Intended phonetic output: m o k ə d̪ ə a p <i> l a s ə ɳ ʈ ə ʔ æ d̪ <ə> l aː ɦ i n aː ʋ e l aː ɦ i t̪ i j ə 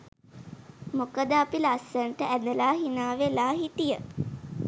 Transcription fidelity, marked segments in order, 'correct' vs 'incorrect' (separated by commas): correct, correct